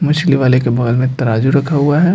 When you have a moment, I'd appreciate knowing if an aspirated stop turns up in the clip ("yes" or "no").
yes